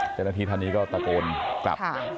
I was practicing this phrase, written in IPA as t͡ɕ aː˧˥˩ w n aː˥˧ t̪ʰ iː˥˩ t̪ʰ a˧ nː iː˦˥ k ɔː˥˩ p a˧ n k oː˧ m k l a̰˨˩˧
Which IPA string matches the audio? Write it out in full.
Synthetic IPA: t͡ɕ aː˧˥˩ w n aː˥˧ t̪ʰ iː˧ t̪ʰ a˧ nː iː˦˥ k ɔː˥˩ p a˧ k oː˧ n k l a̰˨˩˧